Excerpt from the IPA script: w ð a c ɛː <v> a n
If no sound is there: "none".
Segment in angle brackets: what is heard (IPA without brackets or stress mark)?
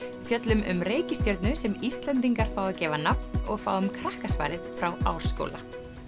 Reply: v